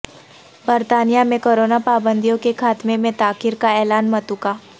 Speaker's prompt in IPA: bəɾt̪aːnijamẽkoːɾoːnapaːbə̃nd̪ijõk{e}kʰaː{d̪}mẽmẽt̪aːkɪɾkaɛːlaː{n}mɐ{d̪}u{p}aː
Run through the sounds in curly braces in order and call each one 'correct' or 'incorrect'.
correct, incorrect: t̪, correct, incorrect: t̪, incorrect: k

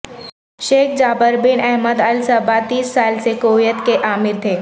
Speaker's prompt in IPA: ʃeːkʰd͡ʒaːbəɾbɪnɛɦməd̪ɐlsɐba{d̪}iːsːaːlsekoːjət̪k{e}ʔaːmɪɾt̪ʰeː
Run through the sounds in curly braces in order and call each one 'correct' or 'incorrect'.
incorrect: t̪, correct

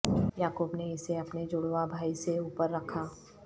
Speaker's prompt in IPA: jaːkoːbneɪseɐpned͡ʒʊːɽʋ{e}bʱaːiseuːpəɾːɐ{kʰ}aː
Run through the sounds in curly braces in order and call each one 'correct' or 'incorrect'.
incorrect: a, correct

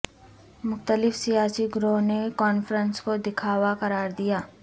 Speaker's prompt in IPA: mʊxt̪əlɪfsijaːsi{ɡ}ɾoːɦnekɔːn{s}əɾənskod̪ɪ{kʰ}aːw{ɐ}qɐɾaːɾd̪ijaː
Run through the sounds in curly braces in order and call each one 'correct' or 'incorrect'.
correct, incorrect: f, correct, incorrect: a

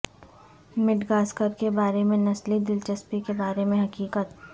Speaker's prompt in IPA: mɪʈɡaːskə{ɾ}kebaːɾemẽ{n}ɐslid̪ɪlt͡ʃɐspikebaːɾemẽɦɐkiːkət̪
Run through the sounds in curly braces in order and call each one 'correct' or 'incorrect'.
correct, correct

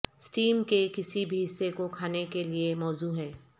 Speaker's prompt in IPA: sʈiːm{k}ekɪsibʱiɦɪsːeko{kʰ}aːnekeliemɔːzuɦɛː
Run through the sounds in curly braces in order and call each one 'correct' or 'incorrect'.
correct, correct

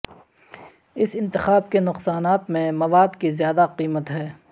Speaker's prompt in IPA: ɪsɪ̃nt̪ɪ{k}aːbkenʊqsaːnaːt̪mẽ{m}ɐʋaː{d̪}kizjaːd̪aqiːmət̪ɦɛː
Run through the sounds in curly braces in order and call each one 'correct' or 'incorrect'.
incorrect: x, correct, correct

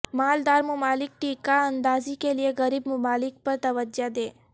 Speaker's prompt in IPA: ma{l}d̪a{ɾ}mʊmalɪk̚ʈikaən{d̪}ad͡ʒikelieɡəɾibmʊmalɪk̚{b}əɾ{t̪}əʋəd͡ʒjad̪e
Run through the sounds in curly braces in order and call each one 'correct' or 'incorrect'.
correct, correct, correct, incorrect: p, correct

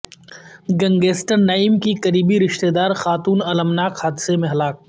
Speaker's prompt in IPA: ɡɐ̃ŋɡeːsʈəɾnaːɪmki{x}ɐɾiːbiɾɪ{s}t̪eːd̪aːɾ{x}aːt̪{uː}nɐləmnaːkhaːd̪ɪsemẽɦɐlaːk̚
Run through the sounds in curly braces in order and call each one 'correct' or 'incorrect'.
incorrect: k, incorrect: ʃ, correct, correct

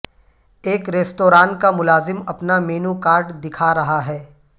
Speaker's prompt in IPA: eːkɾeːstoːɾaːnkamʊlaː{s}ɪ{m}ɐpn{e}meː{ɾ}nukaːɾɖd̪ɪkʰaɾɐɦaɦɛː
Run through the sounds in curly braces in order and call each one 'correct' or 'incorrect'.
incorrect: z, correct, incorrect: a, incorrect: none

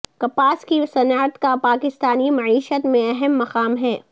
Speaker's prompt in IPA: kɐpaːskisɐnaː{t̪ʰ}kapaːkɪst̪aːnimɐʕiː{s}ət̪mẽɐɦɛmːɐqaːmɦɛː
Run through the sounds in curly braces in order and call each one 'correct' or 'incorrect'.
incorrect: t̪, incorrect: ʃ

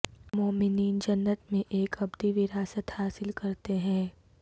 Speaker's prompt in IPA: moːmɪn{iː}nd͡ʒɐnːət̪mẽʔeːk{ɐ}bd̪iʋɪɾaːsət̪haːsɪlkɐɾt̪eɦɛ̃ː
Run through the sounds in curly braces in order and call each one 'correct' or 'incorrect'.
correct, correct

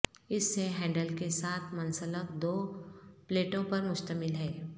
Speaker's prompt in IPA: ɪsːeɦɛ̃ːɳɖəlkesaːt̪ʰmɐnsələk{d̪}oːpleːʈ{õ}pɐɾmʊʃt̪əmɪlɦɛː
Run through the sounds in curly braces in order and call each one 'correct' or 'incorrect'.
correct, correct

